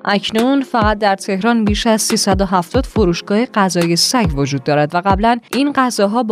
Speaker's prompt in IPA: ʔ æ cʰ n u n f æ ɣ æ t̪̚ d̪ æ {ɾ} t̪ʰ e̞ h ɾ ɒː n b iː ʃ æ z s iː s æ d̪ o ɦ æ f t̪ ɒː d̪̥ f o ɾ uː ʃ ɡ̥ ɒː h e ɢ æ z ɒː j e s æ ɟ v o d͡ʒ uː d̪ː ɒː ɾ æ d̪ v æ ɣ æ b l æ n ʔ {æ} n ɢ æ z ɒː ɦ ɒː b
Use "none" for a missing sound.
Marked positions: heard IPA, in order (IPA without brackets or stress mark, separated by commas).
ɾ, i